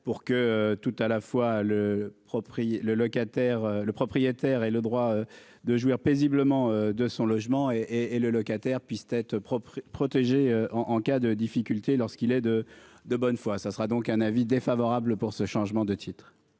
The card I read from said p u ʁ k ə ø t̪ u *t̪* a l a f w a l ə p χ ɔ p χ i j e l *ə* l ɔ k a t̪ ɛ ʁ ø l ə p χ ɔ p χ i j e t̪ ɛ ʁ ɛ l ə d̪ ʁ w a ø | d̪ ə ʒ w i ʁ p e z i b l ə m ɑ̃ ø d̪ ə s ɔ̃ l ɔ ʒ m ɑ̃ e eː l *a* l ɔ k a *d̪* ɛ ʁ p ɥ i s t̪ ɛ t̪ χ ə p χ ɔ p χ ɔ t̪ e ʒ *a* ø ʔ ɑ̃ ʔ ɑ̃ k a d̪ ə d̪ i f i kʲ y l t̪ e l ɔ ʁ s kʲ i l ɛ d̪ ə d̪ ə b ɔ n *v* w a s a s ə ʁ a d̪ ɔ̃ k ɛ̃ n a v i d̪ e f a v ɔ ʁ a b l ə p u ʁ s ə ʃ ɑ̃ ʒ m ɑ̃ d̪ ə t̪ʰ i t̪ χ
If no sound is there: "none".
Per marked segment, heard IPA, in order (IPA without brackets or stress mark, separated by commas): t̪, ə, ə, t̪, e, f